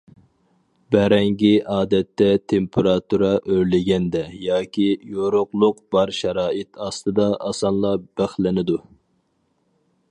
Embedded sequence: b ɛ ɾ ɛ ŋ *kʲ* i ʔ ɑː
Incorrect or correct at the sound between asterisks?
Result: incorrect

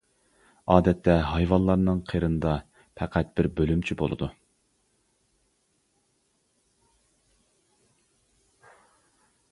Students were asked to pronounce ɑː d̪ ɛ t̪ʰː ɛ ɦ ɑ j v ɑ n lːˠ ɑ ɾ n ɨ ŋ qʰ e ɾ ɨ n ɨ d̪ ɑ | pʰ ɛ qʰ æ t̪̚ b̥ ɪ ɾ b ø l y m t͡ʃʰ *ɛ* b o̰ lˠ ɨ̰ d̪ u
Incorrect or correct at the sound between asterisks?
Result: incorrect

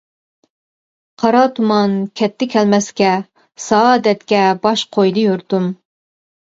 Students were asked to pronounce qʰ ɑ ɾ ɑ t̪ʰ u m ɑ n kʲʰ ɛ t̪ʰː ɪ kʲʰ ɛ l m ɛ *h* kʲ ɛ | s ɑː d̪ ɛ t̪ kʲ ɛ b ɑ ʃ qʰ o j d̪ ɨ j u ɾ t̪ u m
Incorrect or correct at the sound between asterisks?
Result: incorrect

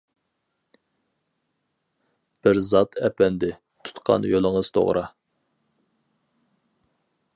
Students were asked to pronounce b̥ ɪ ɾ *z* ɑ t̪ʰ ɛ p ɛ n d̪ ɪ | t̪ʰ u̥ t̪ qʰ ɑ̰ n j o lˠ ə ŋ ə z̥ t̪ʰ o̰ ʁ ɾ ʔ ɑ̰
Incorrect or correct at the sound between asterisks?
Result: correct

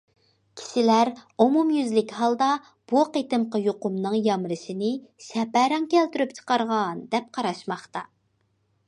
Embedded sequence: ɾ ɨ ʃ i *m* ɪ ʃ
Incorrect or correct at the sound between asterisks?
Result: incorrect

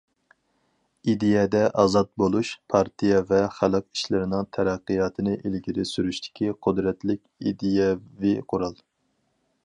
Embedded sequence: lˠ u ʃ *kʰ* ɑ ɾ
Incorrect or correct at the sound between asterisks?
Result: incorrect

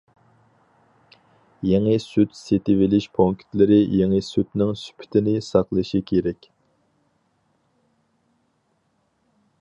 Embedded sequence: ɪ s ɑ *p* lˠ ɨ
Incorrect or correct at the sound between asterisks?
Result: incorrect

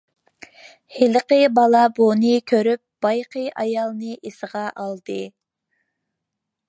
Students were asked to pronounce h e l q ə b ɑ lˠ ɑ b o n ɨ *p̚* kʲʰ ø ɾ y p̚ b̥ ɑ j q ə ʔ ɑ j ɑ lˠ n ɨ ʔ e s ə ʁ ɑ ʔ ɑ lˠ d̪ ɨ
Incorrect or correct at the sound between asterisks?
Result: incorrect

